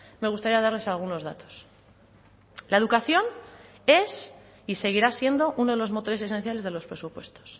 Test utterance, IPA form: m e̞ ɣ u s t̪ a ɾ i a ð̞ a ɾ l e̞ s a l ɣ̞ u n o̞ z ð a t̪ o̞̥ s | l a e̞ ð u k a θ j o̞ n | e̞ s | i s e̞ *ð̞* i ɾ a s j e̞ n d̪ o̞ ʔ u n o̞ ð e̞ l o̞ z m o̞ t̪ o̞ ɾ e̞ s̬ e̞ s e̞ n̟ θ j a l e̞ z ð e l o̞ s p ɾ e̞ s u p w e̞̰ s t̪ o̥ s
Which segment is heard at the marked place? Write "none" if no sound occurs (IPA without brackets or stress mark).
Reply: ɣ̞